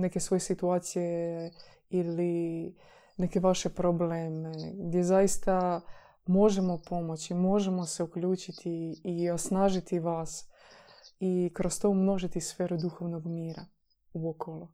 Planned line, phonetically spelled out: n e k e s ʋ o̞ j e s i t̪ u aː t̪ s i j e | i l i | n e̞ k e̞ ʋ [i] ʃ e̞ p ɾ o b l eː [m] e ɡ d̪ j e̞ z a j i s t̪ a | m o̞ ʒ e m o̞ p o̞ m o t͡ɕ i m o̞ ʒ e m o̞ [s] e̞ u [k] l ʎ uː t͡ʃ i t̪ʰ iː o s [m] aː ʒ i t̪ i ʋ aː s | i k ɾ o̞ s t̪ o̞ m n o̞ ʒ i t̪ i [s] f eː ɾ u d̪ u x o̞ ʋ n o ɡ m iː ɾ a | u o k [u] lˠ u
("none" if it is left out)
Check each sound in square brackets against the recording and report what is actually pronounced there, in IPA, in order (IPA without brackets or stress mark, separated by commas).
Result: a, m, s, k, n, s, o